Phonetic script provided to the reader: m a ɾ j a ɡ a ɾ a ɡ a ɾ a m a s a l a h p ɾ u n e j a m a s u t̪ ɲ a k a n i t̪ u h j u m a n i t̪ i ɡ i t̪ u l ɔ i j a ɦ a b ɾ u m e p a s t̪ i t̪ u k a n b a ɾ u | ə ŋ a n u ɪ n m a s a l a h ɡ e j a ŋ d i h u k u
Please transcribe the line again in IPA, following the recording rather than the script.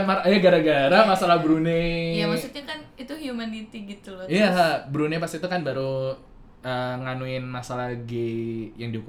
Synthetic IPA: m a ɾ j a ɡ a ɾ a ɡ a ɾ a m a s a l a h b ɾ u n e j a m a s u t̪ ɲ a k a n i t̪ u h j u m a n i t̪ i ɡ i t̪ u l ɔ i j a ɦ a b ɾ u n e p a s t̪ i t̪ u k a n b a ɾ u | ə ŋ a n u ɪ n m a s a l a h ɡ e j a ŋ d i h u k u